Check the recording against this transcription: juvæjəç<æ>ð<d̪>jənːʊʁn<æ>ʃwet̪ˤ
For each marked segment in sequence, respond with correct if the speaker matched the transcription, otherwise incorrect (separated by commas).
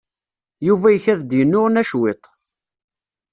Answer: correct, correct, correct